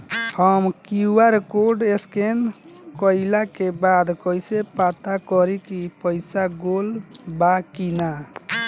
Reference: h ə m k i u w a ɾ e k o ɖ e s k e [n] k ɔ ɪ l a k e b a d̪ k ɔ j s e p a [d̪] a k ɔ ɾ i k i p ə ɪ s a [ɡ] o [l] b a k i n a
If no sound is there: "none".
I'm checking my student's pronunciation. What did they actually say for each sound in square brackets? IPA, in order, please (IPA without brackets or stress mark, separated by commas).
n, t̪, ɡ, l